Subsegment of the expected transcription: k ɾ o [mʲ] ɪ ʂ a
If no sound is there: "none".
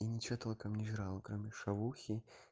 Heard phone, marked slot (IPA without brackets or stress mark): mʲ